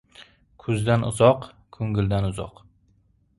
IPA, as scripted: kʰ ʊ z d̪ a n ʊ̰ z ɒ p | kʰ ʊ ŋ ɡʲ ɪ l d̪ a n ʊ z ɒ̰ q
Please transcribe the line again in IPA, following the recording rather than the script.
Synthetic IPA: kʰ ʊ z d̪ a n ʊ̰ z ɒ q | kʰ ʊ ŋ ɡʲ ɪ l d̪ a n ʊ z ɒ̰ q

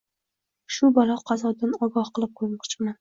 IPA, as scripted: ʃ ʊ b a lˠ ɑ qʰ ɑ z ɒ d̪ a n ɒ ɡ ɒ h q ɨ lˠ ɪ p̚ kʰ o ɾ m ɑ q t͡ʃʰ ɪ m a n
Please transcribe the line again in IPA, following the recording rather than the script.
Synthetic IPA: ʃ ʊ b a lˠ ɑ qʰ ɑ z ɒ d̪ a n ɒ ɡ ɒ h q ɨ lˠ ɪ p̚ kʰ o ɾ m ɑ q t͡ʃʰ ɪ m a n

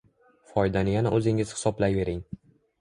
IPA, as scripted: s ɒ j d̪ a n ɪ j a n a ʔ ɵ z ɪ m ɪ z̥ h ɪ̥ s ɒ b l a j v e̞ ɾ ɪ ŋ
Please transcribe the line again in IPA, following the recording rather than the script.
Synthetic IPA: f ɒ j d̪ a n ɪ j a n a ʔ ɵ z ɪ ŋ ɪ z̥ h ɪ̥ s ɒ b l a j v e̞ ɾ ɪ ŋ

